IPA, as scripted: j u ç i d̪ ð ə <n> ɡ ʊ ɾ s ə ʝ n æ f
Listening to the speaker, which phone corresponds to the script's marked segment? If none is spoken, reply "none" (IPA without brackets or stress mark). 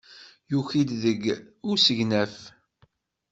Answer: none